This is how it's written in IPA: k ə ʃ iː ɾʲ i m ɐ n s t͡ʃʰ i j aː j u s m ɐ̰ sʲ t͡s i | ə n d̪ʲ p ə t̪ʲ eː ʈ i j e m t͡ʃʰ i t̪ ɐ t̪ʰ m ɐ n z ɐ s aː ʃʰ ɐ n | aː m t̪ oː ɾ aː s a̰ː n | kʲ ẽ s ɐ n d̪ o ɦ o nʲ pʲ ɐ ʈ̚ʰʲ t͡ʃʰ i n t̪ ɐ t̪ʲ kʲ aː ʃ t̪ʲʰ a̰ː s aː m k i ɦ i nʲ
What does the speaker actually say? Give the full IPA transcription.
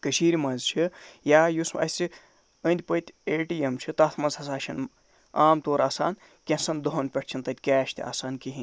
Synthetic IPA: k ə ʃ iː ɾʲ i m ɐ n z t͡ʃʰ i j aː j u s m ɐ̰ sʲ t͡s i | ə n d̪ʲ p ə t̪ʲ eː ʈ i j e m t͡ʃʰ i t̪ ɐ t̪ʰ m ɐ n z ɐ s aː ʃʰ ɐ n | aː m t̪ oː ɾ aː s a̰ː n | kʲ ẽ s ɐ n d̪ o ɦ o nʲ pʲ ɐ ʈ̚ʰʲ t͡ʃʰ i n t̪ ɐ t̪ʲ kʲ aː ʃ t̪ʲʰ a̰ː s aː n k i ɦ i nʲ

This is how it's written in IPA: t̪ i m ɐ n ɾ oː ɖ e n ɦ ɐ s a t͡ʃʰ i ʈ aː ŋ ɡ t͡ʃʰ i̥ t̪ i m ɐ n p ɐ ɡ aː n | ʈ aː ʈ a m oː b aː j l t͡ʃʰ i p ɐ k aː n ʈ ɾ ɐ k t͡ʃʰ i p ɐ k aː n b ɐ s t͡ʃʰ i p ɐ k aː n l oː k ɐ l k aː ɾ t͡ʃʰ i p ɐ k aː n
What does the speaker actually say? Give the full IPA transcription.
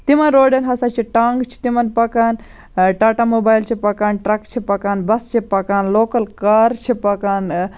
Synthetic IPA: t̪ i m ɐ n ɾ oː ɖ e n ɦ ɐ s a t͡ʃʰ i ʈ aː ŋ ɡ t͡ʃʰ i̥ t̪ i m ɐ n p ɐ k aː n | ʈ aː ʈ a m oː b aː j l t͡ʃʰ i p ɐ k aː n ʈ ɾ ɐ k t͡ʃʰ i p ɐ k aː n b ɐ s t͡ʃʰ i p ɐ k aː n l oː k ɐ l k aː ɾ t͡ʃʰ i p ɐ k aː n

